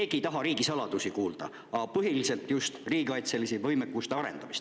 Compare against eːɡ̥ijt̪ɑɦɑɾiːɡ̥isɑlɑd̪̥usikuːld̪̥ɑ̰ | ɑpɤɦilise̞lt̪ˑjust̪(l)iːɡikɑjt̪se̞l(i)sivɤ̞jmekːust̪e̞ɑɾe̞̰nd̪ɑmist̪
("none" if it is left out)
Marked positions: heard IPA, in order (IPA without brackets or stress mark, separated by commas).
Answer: r, i